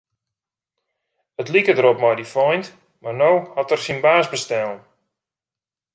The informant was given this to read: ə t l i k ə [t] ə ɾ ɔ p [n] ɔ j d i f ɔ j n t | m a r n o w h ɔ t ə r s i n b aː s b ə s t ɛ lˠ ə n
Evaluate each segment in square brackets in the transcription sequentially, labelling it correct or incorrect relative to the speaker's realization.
incorrect, incorrect

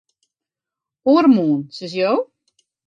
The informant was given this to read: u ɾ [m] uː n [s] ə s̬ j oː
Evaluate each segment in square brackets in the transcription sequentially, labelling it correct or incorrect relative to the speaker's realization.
correct, correct

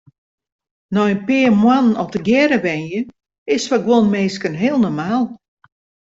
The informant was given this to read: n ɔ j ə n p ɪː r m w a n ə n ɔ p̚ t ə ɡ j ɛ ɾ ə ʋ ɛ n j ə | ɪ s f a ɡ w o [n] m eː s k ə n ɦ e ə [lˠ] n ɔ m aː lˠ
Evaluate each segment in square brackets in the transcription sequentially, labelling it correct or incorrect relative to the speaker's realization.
correct, correct

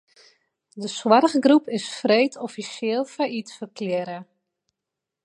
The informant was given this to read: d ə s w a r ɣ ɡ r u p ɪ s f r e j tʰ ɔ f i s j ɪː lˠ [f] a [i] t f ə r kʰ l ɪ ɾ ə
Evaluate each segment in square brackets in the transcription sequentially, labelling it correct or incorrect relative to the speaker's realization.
correct, correct

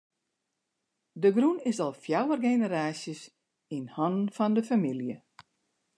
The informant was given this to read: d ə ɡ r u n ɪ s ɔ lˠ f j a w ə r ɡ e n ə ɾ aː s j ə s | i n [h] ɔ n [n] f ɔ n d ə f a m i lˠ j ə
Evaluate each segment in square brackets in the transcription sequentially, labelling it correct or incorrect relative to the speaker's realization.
correct, correct

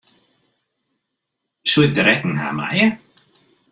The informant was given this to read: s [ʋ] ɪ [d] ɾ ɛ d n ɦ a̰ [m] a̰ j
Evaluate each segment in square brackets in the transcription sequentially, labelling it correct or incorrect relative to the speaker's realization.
incorrect, correct, correct

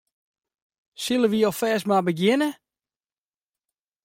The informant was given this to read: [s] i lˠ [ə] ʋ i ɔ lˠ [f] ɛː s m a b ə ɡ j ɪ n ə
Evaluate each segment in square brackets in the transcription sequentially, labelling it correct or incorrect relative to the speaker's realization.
correct, correct, correct

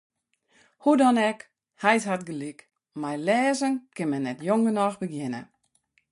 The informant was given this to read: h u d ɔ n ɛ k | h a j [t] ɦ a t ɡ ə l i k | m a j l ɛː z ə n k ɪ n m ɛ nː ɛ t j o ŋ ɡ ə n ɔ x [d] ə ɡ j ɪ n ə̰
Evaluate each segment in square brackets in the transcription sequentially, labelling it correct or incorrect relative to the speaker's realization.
correct, incorrect

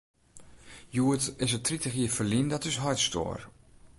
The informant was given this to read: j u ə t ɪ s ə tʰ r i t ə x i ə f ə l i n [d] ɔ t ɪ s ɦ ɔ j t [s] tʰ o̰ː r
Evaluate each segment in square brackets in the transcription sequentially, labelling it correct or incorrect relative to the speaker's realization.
correct, correct

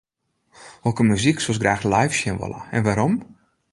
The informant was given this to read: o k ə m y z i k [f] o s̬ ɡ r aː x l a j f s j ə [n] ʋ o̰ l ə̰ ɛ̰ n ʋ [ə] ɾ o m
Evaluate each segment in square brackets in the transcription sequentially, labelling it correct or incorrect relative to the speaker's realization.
incorrect, correct, incorrect

